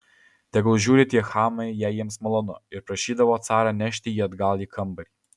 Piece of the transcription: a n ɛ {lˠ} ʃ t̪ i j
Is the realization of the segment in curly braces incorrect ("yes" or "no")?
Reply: yes